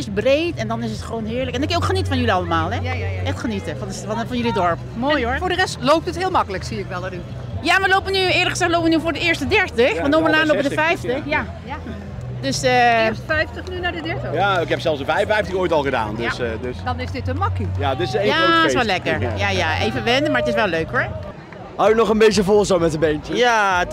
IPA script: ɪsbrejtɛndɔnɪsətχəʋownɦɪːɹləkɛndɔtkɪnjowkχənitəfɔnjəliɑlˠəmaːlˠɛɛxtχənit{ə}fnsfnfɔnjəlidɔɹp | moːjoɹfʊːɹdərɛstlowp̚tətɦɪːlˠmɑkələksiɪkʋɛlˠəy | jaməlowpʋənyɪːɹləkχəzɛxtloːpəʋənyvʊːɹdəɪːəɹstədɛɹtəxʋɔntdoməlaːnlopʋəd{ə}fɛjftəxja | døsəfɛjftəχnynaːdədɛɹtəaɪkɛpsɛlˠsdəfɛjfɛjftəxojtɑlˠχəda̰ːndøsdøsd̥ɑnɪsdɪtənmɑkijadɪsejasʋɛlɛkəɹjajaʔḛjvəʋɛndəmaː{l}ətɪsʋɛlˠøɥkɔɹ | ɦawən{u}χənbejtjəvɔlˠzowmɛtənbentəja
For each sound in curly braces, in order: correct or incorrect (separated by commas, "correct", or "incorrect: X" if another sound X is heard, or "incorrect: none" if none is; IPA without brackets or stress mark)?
correct, correct, incorrect: ɹ, incorrect: ɔ